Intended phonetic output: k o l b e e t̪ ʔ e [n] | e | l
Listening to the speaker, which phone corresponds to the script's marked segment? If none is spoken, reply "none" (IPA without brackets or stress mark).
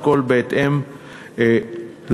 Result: m